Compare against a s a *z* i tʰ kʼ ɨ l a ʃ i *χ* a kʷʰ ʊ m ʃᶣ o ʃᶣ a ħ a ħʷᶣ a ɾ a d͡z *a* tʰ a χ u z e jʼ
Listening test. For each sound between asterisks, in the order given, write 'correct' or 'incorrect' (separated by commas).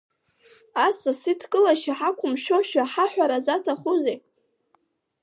incorrect, incorrect, correct